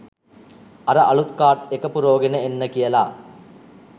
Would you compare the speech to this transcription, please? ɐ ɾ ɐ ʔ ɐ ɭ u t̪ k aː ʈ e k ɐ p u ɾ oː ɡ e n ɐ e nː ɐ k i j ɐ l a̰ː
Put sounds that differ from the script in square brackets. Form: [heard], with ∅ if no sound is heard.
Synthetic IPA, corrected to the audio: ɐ ɾ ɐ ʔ ɐ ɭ u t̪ k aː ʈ e k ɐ p u ɾ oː ɡ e n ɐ e nː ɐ k i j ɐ l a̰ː